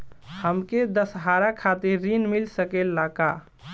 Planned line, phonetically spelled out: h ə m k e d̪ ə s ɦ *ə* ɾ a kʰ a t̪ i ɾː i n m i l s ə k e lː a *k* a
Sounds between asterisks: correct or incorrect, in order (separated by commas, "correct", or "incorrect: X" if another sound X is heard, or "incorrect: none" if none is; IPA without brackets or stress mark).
incorrect: a, correct